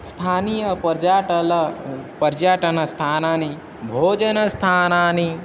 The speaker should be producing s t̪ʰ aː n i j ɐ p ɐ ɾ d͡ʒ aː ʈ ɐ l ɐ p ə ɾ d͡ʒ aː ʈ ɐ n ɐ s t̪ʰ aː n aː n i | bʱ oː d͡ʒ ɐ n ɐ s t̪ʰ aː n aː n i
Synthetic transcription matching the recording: s t̪ʰ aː n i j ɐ p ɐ ɾ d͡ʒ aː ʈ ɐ l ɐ p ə ɾ d͡ʒ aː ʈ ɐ n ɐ s t̪ʰ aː n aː n i | bʱ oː d͡ʒ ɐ n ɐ s t̪ʰ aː n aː n i